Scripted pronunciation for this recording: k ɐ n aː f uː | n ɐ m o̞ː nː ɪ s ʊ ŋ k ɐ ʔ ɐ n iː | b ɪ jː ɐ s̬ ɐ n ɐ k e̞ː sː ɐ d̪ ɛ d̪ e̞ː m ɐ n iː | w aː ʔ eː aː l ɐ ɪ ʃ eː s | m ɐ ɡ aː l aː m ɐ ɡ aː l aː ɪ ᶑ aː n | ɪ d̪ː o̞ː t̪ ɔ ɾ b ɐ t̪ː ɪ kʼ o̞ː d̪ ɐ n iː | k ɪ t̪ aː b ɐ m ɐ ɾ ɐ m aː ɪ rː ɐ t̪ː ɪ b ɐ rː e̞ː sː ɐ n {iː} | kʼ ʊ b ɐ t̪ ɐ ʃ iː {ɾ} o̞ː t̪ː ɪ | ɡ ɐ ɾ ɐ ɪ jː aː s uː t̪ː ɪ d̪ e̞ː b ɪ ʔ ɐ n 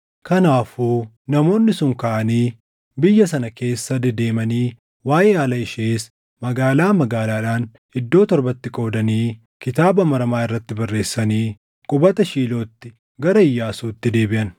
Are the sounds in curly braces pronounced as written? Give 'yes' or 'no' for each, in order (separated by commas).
yes, no